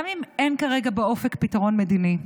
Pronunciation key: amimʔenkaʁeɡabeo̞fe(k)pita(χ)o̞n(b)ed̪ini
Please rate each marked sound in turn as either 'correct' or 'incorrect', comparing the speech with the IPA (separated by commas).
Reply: correct, incorrect, incorrect